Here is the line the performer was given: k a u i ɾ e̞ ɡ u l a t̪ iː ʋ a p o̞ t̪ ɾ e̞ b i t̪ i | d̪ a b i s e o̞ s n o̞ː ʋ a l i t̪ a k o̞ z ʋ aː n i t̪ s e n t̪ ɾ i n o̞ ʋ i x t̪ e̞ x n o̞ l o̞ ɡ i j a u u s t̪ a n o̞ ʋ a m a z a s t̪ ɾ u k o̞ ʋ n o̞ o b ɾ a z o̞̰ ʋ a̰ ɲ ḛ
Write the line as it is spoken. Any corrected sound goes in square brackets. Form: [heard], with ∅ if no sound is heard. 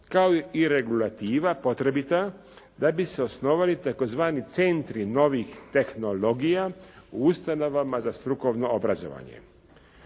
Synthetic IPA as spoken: k a [o] i ɾ e̞ ɡ u l a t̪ iː ʋ a p o̞ t̪ ɾ e̞ b i t̪ [a] | d̪ a b i s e o̞ s n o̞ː ʋ a l i t̪ a k o̞ z ʋ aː n i t̪ s e n t̪ ɾ i n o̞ ʋ i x t̪ e̞ x n o̞ l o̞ ɡ i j a u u s t̪ a n o̞ ʋ a m a z a s t̪ ɾ u k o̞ ʋ n o̞ o b ɾ a z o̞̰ ʋ a̰ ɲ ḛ